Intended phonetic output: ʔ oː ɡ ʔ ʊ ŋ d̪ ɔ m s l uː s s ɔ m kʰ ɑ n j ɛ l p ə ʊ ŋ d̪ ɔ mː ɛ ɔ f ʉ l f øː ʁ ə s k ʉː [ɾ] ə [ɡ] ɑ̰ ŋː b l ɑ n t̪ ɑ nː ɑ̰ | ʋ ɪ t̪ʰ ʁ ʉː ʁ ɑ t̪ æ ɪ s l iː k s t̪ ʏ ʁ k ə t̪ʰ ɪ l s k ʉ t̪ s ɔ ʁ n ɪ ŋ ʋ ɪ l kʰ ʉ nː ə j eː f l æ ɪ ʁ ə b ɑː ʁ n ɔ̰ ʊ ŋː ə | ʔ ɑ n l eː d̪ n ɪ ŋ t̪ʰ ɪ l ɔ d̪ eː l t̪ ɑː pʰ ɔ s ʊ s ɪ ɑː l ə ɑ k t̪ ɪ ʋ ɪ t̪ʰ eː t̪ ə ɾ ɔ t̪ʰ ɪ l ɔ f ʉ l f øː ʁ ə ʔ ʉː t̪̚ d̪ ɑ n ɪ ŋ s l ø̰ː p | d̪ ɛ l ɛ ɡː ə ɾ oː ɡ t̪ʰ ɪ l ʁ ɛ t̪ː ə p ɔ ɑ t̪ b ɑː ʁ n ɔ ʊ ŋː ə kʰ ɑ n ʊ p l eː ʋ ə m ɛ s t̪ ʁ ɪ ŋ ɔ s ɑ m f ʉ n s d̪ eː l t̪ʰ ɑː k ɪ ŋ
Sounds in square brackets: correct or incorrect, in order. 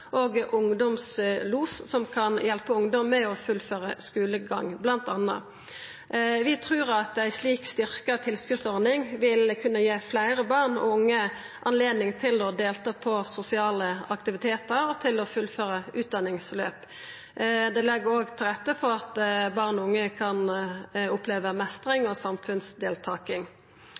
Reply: incorrect: l, correct

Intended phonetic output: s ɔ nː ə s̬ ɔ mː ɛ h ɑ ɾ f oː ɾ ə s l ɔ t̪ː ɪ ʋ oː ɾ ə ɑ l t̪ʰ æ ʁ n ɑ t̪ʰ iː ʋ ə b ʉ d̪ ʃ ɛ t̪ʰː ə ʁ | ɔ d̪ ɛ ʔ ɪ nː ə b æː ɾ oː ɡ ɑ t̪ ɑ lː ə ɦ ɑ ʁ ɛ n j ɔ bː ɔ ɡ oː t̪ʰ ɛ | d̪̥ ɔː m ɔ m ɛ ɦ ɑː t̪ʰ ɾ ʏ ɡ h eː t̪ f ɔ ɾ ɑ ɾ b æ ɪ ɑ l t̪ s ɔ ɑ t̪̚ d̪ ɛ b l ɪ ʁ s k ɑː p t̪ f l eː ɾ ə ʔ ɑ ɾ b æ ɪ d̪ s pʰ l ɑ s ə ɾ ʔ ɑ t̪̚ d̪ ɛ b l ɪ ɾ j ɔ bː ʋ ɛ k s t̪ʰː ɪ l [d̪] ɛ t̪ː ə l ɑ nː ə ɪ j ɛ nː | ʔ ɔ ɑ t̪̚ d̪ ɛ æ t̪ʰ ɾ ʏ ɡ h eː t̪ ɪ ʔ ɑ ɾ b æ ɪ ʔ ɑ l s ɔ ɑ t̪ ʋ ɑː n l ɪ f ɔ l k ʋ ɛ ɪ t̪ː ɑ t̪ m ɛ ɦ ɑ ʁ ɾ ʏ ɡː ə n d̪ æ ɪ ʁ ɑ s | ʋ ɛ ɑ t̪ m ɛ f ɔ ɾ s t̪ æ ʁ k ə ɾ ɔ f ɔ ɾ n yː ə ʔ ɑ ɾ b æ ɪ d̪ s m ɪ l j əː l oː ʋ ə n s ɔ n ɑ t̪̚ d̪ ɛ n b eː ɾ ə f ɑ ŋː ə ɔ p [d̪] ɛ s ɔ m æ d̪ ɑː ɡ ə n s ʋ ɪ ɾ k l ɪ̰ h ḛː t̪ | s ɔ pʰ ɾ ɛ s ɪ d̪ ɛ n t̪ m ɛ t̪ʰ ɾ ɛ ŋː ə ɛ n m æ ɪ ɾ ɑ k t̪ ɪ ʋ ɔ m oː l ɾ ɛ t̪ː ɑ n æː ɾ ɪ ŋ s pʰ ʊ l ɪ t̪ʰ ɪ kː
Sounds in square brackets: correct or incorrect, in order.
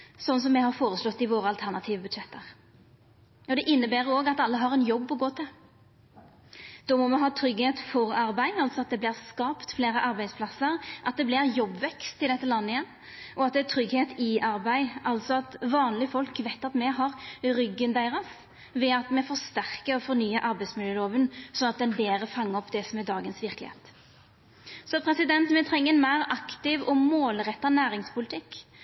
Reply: correct, correct

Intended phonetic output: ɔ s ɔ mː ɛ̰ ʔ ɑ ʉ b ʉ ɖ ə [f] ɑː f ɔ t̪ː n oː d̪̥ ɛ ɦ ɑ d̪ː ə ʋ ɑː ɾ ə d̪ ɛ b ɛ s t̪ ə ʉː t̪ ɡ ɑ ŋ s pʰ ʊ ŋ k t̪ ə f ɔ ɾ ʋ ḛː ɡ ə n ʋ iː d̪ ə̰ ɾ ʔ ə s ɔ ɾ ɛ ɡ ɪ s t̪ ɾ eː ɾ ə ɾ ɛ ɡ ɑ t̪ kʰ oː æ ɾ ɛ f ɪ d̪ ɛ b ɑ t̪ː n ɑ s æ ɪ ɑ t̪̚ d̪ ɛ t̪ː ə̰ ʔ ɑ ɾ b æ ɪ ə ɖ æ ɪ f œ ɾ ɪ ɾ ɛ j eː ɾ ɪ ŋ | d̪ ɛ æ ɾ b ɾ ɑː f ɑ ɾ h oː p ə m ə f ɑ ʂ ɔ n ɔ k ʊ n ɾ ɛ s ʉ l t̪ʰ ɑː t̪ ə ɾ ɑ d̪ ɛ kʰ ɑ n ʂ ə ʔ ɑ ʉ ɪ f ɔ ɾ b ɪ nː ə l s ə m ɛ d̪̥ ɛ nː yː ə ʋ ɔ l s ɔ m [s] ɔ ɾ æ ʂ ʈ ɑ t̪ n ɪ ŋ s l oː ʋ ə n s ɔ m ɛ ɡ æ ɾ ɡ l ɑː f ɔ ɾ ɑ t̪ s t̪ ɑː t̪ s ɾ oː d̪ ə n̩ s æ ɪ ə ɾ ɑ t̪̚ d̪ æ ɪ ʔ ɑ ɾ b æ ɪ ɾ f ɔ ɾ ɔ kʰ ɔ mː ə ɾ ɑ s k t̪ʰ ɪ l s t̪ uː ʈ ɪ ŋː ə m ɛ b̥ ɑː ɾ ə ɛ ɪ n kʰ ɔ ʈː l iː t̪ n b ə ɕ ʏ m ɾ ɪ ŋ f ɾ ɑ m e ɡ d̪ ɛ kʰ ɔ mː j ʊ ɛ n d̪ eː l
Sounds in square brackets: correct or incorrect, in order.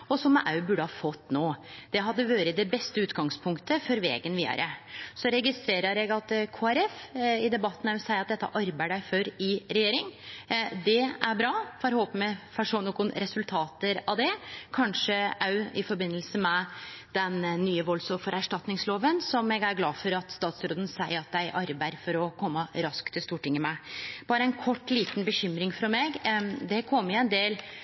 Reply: incorrect: h, incorrect: f

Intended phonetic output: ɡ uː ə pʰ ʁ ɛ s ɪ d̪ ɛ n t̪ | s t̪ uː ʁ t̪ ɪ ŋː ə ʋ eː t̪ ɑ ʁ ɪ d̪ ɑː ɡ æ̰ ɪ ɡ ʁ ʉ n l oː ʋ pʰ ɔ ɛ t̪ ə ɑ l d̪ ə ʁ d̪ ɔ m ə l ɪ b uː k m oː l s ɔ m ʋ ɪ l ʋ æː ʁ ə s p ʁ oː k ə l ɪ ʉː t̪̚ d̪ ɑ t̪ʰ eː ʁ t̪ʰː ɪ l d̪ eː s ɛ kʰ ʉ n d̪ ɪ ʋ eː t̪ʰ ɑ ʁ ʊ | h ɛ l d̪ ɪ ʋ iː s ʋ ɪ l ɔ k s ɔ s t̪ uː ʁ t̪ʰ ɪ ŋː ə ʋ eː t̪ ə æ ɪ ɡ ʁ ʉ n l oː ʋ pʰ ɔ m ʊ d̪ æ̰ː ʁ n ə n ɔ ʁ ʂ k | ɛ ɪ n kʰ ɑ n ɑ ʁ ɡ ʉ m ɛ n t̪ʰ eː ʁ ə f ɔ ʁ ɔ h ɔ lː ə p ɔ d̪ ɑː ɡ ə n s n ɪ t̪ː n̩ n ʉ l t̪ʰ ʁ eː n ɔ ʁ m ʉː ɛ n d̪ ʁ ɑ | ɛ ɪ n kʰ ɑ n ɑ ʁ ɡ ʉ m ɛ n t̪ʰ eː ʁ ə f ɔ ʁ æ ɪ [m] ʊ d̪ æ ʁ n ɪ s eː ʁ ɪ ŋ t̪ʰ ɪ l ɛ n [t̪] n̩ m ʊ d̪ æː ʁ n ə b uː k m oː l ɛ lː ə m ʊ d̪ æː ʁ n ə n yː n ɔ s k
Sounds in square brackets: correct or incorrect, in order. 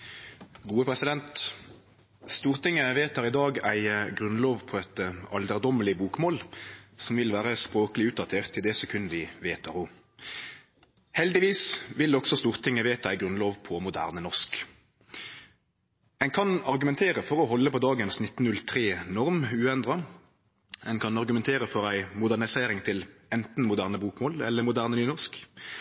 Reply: correct, correct

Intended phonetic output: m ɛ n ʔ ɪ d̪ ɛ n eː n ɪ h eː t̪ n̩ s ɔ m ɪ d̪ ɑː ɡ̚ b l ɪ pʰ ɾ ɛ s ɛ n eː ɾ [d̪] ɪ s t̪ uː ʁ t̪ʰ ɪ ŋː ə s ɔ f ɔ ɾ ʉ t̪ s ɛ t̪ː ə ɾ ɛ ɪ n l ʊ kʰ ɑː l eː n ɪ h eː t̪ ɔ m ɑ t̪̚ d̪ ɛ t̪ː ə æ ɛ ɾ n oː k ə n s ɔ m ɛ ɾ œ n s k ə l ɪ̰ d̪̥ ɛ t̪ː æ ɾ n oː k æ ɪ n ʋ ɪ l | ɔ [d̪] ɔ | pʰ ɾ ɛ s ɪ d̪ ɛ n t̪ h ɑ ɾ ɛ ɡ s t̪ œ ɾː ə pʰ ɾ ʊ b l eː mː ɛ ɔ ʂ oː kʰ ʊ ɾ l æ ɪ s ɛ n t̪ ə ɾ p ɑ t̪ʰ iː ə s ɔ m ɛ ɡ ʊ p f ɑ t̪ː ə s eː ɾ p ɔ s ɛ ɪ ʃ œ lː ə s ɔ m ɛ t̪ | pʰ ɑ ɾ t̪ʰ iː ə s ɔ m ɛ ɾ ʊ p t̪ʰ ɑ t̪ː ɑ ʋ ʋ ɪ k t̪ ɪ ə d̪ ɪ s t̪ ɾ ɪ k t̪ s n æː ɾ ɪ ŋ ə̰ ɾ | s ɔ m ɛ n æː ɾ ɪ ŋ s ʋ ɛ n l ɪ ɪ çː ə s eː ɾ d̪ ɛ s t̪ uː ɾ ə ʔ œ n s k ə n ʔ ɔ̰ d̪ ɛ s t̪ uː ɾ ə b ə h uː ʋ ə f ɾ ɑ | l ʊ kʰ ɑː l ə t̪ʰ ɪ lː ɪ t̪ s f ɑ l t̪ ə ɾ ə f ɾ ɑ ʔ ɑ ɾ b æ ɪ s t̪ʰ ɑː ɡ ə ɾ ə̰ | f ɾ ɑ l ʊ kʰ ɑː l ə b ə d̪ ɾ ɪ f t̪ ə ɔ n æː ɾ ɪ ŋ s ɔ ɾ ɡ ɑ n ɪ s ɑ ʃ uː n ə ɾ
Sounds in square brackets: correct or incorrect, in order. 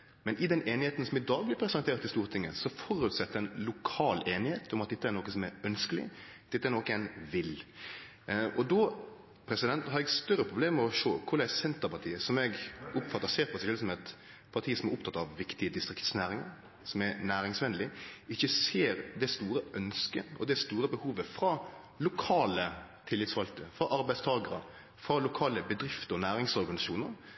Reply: incorrect: t̪, correct

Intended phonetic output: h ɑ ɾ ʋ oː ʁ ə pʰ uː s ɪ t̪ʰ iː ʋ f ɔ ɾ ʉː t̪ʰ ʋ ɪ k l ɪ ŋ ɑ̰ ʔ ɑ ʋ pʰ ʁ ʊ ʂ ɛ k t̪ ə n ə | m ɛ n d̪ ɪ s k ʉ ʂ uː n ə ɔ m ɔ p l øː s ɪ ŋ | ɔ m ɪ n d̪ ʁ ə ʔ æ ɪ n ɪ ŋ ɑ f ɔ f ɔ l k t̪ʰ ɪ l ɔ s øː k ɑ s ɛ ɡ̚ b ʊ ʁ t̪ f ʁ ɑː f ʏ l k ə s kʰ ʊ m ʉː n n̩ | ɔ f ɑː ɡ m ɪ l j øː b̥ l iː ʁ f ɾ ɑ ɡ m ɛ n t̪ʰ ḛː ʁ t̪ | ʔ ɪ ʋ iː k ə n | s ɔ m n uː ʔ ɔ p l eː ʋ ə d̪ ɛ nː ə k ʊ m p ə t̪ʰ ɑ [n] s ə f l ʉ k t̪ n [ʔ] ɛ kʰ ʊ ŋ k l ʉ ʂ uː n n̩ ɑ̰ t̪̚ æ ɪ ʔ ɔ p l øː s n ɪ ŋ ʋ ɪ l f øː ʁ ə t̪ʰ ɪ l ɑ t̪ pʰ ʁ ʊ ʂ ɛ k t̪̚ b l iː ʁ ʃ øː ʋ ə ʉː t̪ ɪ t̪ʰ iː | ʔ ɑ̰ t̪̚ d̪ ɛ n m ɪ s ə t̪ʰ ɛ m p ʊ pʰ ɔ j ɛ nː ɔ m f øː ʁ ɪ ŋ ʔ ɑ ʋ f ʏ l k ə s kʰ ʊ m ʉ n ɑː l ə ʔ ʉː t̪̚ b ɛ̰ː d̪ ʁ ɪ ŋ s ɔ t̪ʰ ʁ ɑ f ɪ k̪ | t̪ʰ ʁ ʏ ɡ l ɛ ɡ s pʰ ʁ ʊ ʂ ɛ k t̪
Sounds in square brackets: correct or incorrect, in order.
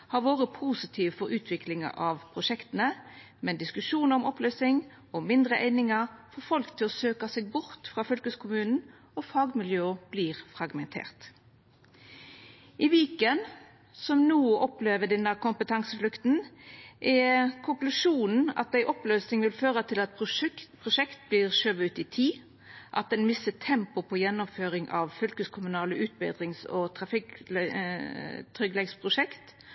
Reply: incorrect: ŋ, correct

